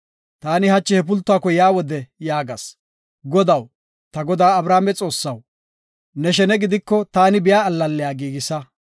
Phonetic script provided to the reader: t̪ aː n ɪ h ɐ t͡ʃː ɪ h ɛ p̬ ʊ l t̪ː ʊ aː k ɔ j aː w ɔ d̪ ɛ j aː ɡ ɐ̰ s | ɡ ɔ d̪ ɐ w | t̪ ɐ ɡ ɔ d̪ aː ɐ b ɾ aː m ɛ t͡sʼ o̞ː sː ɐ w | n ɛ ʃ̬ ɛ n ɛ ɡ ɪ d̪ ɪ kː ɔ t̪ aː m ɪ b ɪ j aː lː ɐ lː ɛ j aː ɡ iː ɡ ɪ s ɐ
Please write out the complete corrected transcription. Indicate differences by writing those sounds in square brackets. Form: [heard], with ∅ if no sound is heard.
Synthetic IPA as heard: t̪ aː n ɪ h ɐ t͡ʃː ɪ h ɛ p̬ ʊ l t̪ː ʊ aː k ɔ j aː w ɔ d̪ ɛ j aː ɡ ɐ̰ s | ɡ ɔ d̪ ɐ w | t̪ ɐ ɡ ɔ d̪ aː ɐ b ɾ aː m ɛ t͡sʼ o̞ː sː ɐ w | n ɛ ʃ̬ ɛ n ɛ ɡ ɪ d̪ ɪ kː ɔ t̪ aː [n] ɪ b ɪ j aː lː ɐ lː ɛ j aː ɡ iː ɡ ɪ s ɐ